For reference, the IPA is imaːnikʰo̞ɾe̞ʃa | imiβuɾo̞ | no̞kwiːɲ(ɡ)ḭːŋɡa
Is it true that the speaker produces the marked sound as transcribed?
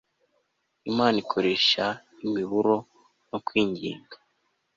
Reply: no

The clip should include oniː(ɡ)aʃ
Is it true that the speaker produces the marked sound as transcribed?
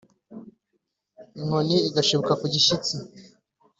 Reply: yes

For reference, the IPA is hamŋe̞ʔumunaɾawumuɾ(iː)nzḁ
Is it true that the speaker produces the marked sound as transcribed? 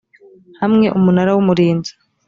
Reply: yes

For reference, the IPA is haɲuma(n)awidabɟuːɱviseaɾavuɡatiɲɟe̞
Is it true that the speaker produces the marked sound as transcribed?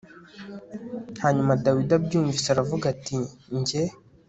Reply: no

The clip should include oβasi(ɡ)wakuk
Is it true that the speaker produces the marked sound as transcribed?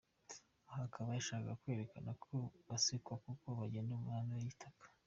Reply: no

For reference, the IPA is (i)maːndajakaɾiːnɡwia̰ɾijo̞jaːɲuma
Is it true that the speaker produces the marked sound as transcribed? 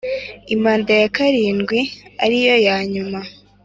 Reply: yes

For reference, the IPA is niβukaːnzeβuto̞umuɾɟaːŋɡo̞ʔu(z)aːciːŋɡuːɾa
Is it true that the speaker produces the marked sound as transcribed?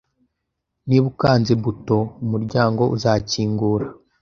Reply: yes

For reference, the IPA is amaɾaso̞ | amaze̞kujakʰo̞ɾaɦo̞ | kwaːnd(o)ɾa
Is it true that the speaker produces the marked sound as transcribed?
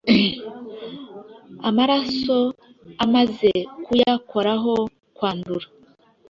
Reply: no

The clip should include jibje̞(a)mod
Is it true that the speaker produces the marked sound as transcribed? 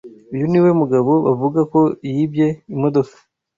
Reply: no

